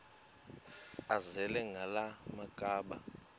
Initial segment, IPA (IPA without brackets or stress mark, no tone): a